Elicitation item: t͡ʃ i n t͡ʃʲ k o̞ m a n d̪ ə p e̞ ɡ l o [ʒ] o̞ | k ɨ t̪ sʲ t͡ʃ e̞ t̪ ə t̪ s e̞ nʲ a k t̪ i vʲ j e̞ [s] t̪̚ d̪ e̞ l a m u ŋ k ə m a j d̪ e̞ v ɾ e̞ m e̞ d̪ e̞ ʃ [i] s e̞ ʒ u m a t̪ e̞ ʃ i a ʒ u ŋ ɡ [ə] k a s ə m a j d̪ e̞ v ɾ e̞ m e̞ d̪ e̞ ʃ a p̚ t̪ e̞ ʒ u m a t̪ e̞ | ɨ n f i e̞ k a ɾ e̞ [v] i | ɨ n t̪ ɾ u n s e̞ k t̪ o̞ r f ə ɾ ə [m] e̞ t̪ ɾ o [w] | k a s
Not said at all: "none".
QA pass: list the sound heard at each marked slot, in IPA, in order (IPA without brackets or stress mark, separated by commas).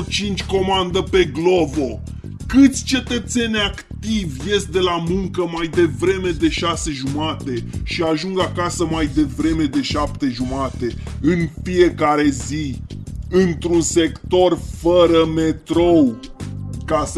v, s, a, a, z, m, w